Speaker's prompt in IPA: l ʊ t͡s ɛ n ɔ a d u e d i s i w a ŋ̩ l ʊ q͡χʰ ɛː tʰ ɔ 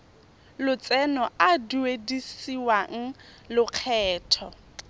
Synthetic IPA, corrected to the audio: l ʊ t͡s ɛ n ɔ a d u e d i s i w a ŋ̩ l ʊ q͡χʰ ɛː tʰ ɔ

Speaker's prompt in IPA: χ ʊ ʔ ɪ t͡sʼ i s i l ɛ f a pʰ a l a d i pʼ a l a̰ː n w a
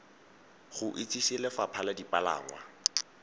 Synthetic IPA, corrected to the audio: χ ʊ ʔ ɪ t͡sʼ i s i l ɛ f a pʰ a l a d i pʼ a l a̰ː ŋ w a

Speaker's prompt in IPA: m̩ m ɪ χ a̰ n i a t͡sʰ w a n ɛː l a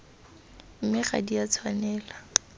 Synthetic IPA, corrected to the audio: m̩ m ɪ χ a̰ d i a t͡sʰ w a n ɛː l a

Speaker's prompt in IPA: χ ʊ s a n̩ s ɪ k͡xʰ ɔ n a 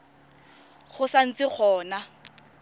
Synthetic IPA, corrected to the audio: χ ʊ s a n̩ t͡s ɪ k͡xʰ ɔː n a

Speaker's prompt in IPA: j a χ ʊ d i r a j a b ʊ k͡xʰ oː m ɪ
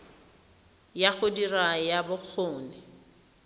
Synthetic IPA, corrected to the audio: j a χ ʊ d i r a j a b ʊ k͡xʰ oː n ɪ

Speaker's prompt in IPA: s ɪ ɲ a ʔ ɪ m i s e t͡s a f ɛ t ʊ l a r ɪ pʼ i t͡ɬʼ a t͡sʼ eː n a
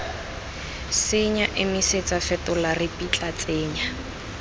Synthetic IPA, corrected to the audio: s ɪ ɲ a ʔ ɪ m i s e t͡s a f ɛ t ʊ l a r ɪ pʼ i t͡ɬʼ a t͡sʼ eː ɲ a

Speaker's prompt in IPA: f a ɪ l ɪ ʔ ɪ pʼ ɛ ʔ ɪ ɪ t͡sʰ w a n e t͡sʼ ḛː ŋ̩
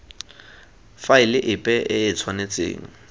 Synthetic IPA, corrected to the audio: f a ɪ l ɪ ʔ ɪ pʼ ɛ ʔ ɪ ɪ t͡sʰ w a n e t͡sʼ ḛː ŋ̩

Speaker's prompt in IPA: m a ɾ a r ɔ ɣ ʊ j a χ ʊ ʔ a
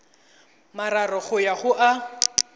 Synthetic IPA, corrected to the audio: m a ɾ a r ɔ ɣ ʊ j a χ ʊ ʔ a

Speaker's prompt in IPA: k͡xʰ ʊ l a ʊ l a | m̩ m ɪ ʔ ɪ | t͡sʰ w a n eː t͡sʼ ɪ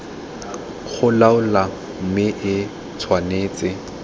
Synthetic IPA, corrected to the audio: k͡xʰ ʊ l a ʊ l a | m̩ m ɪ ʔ ɪ | t͡sʰ w a n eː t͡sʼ ɪ

